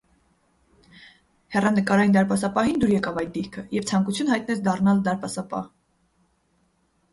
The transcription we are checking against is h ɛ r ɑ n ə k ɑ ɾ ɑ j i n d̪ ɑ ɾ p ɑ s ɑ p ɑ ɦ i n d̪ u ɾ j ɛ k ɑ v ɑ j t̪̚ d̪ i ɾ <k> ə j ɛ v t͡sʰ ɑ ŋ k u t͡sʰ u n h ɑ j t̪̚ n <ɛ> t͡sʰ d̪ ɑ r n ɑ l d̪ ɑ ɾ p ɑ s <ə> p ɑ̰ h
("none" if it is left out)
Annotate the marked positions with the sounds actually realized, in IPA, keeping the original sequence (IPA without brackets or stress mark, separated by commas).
kʰ, ɛ, ɑ